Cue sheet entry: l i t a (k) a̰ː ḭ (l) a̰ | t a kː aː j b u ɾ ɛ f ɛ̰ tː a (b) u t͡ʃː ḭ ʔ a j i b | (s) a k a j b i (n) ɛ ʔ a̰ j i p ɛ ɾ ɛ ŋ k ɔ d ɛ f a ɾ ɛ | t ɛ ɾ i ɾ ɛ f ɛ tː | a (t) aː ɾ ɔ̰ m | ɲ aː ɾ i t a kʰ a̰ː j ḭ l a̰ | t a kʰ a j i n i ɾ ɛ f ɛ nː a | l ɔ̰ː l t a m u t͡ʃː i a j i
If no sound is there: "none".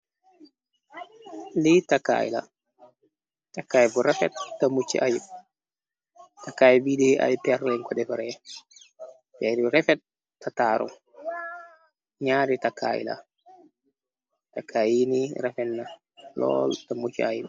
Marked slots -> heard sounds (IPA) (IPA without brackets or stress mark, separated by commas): k, l, m, t, d, t